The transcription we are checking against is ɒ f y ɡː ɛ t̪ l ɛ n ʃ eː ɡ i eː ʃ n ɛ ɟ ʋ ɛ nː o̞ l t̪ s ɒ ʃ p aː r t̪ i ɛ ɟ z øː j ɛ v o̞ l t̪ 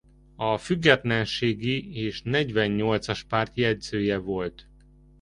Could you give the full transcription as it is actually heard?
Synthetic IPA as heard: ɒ f y ɡː ɛ t̪ l ɛ n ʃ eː ɡ i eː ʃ n ɛ ɟ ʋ ɛ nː o̞ l t̪ s ɒ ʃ p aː r t̪ j ɛ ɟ z øː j ɛ v o̞ l t̪

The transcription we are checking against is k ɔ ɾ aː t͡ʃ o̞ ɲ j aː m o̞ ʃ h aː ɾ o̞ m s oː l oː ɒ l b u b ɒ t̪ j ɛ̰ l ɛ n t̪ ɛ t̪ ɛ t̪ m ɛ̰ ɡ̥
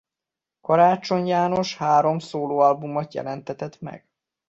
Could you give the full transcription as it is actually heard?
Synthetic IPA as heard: k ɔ ɾ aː t͡ʃ o̞ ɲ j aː n o̞ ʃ h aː ɾ o̞ m s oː l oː ɒ l b u m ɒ t̪ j ɛ̰ l ɛ n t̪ ɛ t̪ ɛ t̪ m ɛ̰ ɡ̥

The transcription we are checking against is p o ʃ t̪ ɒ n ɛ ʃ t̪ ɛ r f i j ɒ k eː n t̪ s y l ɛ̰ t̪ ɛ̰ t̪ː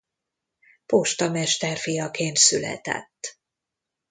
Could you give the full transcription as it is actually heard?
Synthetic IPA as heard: p o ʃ t̪ ɒ m ɛ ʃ t̪ ɛ r f i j ɒ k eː n t̪ s y l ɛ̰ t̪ ɛ̰ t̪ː

